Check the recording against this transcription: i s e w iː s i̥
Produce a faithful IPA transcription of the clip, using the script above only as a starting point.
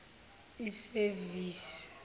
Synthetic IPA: i s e v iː s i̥